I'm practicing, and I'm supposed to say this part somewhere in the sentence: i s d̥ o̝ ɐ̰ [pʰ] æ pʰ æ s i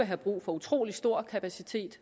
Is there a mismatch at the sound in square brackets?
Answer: yes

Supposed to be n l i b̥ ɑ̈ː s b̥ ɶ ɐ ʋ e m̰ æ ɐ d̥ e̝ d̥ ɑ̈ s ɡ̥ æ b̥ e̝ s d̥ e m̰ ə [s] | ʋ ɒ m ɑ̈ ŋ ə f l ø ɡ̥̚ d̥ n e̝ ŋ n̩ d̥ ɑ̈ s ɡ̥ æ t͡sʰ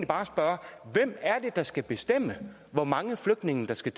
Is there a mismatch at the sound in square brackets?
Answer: yes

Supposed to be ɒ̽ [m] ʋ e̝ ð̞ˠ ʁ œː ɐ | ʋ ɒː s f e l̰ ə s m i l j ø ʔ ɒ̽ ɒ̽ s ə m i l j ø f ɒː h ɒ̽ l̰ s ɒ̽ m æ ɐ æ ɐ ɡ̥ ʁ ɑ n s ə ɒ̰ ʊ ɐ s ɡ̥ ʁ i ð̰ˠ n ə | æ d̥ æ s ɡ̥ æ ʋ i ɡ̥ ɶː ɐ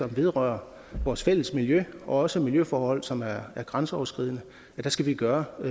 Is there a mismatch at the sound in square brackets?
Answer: no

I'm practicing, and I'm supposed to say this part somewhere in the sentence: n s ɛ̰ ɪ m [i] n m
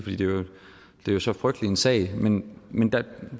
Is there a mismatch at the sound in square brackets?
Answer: yes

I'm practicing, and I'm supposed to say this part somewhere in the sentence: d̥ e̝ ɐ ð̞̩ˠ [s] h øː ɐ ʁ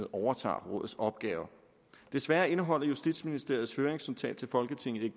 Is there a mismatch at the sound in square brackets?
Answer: no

